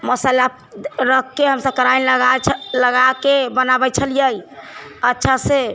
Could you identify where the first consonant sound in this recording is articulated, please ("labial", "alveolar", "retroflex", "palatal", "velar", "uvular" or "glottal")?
labial